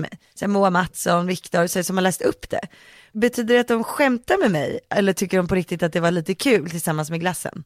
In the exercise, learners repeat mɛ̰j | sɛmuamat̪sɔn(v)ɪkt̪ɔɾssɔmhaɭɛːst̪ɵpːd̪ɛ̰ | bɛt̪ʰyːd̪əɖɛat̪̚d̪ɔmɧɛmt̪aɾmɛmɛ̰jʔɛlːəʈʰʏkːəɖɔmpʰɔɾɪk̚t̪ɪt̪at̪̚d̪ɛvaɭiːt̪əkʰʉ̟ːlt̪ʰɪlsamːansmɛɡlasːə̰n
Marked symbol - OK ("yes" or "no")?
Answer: yes